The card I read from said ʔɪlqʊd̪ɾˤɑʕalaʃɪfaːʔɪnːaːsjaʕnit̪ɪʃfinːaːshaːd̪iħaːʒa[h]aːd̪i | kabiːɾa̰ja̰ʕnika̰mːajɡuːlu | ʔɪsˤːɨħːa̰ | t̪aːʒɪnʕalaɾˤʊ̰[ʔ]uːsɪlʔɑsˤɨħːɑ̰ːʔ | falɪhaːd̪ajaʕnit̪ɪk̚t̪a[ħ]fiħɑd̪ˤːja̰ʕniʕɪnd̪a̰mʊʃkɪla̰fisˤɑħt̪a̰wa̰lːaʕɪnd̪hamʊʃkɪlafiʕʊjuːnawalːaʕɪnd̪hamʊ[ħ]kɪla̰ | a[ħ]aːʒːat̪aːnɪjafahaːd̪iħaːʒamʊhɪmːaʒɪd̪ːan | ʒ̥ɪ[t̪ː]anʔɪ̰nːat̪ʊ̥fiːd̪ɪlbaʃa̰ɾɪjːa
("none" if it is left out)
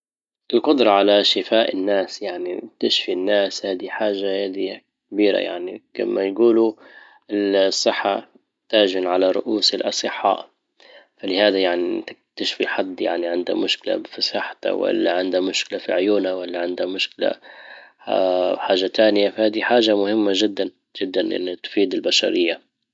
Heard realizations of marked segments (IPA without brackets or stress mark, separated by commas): h, ʔ, ʃ, ʃ, ħ, d̪ː